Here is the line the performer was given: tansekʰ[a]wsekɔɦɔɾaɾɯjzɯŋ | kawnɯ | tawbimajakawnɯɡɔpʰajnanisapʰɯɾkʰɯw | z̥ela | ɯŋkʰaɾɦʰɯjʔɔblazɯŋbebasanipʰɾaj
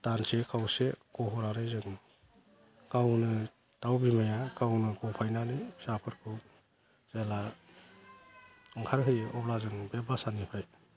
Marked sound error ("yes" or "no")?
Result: no